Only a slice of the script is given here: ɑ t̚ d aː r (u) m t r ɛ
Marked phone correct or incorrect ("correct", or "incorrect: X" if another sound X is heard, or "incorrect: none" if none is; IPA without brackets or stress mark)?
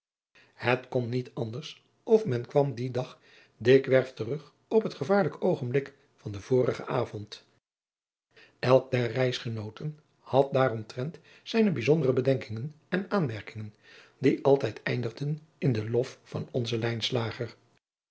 incorrect: ɔ